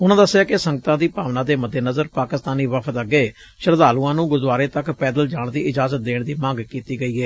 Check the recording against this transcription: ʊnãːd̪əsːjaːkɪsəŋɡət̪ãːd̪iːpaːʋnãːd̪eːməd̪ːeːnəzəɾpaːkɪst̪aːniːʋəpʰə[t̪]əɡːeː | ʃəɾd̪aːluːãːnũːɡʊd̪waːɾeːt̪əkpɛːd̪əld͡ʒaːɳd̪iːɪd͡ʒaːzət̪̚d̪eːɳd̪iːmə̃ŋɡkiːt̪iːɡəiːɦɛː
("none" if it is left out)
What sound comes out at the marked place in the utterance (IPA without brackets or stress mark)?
t̪